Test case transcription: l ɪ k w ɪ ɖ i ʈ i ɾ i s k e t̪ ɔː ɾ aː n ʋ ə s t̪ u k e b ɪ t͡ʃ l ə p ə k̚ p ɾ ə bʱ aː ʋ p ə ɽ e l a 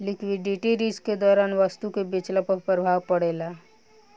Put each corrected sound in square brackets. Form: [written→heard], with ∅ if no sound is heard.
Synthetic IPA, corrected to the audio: l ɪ k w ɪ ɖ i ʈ i ɾ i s k e [t̪→d̪] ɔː ɾ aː n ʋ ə s t̪ u k e b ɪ t͡ʃ l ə p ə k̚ p ɾ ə bʱ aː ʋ p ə ɽ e l a